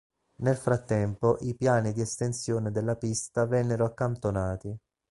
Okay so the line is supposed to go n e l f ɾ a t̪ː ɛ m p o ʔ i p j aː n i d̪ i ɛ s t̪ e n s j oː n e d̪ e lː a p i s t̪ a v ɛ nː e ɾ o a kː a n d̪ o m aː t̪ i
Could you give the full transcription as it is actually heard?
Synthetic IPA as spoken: n e l f ɾ a t̪ː ɛ m p o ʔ i p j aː n i d̪ i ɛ s t̪ e n s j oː n e d̪ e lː a p i s t̪ a v ɛ nː e ɾ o a kː a n t̪ o n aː t̪ i